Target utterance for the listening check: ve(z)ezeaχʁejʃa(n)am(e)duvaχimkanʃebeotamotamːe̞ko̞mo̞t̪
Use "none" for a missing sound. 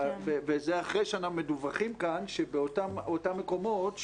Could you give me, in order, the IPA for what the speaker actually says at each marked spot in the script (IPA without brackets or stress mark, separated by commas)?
v, n, e